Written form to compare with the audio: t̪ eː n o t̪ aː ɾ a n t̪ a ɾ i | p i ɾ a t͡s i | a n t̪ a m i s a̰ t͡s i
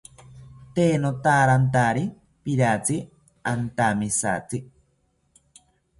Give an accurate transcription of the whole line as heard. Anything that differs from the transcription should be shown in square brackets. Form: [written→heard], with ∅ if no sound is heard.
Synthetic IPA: t̪ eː n o t̪ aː ɾ a n t̪ a ɾ i | p i ɾ a t͡s i | a n t̪ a m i s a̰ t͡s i